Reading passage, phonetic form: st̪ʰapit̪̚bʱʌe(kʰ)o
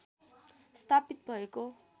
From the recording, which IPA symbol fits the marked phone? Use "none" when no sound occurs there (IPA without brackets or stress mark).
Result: k